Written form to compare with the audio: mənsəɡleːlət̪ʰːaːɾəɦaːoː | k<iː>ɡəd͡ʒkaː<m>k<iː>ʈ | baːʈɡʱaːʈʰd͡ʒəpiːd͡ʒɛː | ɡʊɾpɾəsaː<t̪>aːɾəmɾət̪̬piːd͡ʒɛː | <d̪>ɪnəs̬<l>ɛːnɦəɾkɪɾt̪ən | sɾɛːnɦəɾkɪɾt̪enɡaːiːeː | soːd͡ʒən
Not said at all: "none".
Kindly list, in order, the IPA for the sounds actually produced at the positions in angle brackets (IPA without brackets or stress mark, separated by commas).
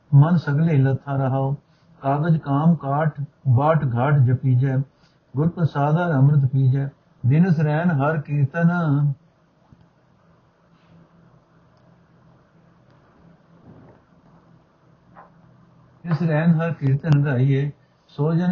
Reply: aː, m, aː, d̪, d̪, ɾ